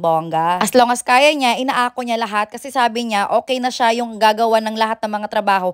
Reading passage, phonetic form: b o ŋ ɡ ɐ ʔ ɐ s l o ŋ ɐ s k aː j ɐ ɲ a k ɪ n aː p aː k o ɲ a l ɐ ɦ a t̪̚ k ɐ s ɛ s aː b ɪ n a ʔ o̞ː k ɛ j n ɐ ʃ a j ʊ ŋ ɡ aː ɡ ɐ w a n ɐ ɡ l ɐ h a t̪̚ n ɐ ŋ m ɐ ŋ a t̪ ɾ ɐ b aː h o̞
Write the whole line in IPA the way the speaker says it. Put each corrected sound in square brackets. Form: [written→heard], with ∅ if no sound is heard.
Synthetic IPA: b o ŋ ɡ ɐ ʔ ɐ s l o ŋ ɐ s k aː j ɐ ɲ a [k→ʔ] ɪ n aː [p→ʔ] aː k o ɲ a l ɐ ɦ a t̪̚ k ɐ s ɛ s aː b ɪ [n→ɲ] a ʔ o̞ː k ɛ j n ɐ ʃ a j ʊ ŋ ɡ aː ɡ ɐ w a n ɐ [ɡ→ŋ] l ɐ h a t̪̚ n ɐ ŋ m ɐ ŋ a t̪ ɾ ɐ b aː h o̞